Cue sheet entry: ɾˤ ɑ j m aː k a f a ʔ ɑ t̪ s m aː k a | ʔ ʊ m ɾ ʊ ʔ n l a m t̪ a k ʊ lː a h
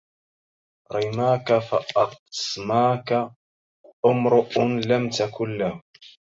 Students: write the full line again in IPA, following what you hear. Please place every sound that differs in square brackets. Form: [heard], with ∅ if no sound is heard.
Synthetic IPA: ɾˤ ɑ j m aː k a f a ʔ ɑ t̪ s m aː k a | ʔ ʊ m ɾ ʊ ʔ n l a m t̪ a k ʊ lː a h